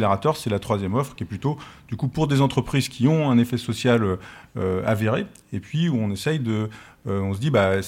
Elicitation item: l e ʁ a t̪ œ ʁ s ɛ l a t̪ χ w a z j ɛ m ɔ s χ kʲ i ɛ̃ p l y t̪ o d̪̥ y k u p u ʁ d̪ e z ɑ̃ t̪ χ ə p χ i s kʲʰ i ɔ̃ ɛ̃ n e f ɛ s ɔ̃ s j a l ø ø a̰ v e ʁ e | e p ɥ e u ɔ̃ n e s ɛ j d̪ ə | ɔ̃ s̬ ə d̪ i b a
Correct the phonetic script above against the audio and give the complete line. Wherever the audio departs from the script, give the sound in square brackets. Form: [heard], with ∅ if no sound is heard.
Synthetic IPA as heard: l e ʁ a t̪ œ ʁ s ɛ l a t̪ χ w a z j ɛ m ɔ [f] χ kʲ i [ɛ] p l y t̪ o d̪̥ y k u p u ʁ d̪ e z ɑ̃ t̪ χ ə p χ i [z] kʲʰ i ɔ̃ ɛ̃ n e f ɛ s [ɔ] s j a l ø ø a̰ v e ʁ e | e p ɥ [i] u ɔ̃ n e s ɛ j d̪ ə | ɔ̃ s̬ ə d̪ i b a